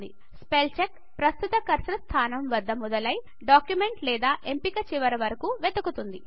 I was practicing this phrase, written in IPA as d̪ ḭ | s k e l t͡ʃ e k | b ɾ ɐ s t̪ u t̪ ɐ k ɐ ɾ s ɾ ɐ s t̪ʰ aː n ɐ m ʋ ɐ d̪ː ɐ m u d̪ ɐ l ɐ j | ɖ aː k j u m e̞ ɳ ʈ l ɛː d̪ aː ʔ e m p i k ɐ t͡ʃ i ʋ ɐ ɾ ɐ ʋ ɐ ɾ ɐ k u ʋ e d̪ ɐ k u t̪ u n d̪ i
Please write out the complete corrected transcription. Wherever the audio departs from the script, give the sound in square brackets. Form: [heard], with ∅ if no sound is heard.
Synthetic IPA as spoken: d̪ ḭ | s [p] e l t͡ʃ e k | [p] ɾ ɐ s t̪ u t̪ ɐ k ɐ ɾ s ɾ ɐ s t̪ʰ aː n ɐ m ʋ ɐ d̪ː ɐ m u d̪ ɐ l ɐ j | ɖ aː k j u m e̞ ɳ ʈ l ɛː d̪ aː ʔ e m p i k ɐ t͡ʃ i ʋ ɐ ɾ ɐ ʋ ɐ ɾ ɐ k u ʋ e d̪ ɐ k u t̪ u n d̪ i